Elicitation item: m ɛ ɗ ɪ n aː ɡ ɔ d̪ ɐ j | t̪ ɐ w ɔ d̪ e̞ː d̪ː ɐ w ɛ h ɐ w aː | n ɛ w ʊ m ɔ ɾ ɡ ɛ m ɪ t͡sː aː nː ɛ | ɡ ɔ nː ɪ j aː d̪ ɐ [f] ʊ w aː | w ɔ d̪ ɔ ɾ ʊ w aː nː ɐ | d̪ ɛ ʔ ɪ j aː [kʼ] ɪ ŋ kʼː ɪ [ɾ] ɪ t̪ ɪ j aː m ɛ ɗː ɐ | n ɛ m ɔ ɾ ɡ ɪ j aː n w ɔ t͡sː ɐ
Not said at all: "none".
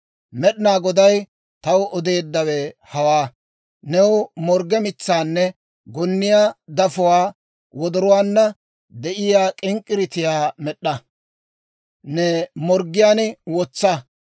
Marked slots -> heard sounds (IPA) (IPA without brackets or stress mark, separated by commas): f, kʼ, ɾ